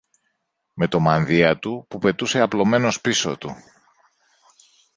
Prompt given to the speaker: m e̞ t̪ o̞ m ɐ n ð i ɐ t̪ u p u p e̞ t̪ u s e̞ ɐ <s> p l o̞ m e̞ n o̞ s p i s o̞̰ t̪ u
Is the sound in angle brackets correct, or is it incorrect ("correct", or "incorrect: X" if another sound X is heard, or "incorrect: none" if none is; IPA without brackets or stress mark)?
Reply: incorrect: none